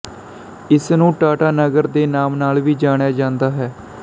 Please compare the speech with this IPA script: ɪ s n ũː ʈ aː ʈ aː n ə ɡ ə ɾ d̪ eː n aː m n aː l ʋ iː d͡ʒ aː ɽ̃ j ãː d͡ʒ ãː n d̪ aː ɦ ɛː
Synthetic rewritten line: ɪ s n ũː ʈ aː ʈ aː n ə ɡ ə ɾ d̪ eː n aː m n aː l ʋ iː d͡ʒ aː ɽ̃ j aː d͡ʒ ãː n d̪ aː ɦ ɛː